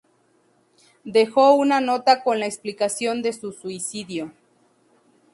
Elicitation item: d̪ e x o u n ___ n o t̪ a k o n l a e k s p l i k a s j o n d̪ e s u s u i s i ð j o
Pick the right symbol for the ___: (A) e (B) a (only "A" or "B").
B